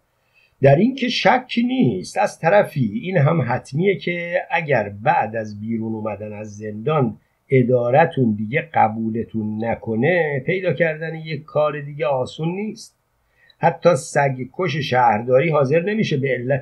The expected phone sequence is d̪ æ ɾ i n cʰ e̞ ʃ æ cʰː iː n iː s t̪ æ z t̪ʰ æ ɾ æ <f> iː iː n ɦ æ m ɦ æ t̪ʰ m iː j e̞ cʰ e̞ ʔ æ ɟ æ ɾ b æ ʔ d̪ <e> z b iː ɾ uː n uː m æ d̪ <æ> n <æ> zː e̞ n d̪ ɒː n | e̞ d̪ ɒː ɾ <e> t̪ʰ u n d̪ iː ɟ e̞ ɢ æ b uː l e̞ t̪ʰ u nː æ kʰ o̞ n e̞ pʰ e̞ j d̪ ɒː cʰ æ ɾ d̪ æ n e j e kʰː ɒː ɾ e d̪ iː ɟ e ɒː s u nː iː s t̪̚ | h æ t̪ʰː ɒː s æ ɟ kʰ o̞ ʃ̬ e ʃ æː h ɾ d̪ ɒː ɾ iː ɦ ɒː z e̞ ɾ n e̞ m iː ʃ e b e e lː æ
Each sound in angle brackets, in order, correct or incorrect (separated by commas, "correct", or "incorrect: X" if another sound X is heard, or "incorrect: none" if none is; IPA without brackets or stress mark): correct, incorrect: æ, correct, correct, incorrect: æ